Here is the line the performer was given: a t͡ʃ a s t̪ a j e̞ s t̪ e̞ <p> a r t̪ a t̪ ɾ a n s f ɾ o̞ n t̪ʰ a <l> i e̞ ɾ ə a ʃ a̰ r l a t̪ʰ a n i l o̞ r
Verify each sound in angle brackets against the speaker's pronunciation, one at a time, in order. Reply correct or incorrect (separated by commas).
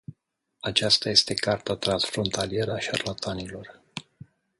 incorrect, correct